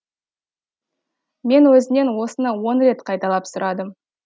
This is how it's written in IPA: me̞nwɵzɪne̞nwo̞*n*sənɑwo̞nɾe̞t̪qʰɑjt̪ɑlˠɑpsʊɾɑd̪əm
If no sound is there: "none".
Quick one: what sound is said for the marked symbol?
none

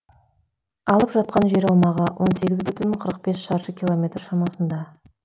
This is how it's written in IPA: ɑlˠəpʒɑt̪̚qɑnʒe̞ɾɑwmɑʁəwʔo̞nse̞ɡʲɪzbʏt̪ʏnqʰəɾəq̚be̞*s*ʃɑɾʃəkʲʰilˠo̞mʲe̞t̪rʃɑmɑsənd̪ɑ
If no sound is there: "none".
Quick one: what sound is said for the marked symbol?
s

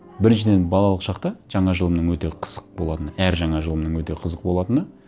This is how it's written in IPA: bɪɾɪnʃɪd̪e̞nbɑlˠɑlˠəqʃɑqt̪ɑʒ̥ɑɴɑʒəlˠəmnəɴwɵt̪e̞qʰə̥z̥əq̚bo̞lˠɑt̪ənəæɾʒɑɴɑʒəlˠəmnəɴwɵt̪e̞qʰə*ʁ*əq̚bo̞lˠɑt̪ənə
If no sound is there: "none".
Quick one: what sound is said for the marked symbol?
z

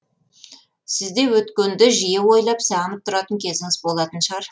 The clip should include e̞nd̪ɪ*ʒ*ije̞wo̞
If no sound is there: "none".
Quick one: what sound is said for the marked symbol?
ʒ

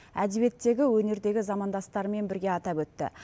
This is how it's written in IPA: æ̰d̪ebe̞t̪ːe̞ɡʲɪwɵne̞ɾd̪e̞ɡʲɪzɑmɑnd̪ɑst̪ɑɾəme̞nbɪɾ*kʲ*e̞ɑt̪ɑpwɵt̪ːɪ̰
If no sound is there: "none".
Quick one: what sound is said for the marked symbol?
ɡʲ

